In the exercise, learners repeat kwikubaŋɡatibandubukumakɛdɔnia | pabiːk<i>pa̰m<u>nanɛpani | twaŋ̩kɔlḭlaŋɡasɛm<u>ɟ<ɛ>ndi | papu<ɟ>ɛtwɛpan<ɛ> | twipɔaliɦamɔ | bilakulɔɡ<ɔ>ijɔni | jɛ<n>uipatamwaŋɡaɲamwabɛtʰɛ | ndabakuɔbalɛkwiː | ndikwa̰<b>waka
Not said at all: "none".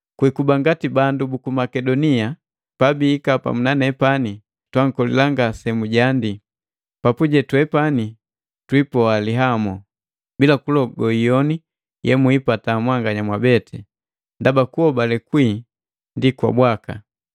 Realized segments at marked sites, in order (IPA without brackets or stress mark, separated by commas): a, u, u, a, ɟ, i, ɔ, m, b